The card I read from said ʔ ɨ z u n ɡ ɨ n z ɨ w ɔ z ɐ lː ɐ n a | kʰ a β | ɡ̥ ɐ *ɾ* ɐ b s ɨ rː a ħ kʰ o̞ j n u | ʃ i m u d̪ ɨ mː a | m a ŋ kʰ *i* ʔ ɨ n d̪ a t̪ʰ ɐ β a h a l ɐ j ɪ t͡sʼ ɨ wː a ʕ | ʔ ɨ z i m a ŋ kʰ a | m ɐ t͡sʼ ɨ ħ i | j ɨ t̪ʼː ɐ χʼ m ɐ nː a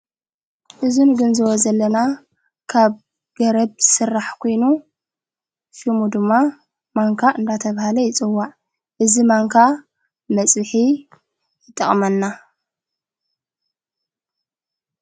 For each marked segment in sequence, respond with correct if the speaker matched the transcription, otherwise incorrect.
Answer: correct, incorrect: a

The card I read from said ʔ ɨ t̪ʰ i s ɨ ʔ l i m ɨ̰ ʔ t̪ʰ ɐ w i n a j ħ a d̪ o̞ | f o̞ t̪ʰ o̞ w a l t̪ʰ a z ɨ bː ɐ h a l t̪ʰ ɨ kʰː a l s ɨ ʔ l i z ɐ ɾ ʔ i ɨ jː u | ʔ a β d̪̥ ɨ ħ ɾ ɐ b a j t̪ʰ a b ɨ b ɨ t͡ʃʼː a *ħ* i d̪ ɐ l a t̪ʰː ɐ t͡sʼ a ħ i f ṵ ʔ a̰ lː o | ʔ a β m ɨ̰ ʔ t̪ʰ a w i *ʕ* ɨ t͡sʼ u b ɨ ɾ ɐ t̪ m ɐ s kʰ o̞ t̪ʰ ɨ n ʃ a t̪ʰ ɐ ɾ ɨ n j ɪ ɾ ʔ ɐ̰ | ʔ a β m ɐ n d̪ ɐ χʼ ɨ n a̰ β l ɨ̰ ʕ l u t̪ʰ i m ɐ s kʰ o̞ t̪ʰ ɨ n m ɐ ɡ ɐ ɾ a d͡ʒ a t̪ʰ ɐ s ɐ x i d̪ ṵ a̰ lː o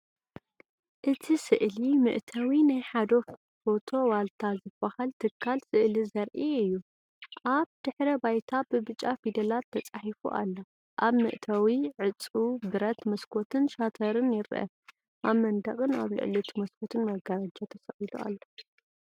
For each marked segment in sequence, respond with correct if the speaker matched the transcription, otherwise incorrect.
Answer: incorrect: f, correct

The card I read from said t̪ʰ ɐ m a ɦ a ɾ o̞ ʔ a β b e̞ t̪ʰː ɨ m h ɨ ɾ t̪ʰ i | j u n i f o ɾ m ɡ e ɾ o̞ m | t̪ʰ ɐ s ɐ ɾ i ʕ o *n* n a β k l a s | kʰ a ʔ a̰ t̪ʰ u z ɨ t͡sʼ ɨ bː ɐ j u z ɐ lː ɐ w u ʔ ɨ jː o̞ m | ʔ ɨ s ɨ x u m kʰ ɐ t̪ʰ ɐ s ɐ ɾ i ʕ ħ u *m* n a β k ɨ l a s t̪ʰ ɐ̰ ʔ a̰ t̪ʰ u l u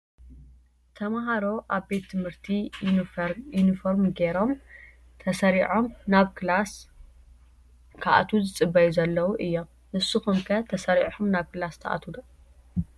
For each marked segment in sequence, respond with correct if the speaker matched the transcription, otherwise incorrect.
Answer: incorrect: m, correct

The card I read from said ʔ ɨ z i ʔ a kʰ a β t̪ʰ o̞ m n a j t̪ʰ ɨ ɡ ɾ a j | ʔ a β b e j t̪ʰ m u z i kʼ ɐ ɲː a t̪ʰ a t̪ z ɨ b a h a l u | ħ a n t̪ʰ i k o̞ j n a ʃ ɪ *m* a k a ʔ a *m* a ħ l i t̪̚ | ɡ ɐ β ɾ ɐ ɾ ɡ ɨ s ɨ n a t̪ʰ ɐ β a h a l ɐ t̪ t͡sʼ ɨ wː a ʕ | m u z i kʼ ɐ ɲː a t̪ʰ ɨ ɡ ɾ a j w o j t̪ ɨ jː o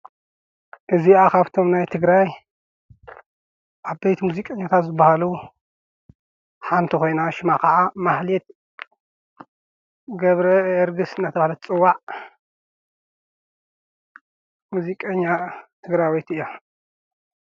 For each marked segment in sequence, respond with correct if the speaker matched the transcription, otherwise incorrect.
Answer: correct, correct

